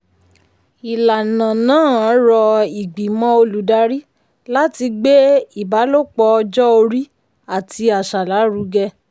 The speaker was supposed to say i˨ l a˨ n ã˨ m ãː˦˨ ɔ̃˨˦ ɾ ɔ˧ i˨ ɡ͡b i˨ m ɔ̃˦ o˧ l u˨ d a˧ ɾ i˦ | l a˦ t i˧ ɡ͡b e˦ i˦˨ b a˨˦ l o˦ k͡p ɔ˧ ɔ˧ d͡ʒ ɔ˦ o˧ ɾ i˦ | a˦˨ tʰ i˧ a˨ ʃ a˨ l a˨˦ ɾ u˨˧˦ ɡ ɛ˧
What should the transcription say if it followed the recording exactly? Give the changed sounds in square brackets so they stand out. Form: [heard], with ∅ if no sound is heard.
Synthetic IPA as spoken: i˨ l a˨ n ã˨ [n] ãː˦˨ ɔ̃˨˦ ɾ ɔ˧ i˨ ɡ͡b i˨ m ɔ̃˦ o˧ l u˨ d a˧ ɾ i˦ | l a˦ t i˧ ɡ͡b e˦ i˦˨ b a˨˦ l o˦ k͡p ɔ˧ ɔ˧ d͡ʒ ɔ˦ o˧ ɾ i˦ | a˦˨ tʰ i˧ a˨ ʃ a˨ l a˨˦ ɾ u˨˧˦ ɡ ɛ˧